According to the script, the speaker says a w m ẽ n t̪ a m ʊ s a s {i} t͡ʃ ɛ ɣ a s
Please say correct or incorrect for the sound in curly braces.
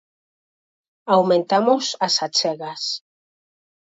incorrect